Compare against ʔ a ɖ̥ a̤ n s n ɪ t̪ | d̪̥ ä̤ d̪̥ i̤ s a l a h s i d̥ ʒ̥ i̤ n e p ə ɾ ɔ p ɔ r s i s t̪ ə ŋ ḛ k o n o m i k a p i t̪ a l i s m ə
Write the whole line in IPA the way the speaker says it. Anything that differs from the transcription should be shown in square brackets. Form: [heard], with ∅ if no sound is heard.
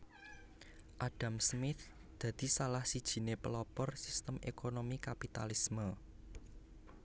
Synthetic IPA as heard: ʔ a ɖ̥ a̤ [m] s [m] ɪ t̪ | d̪̥ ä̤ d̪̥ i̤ s a l a h s i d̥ ʒ̥ i̤ n e p ə [l] ɔ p ɔ r s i s t̪ ə [m] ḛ k o n o m i k a p i t̪ a l i s m ə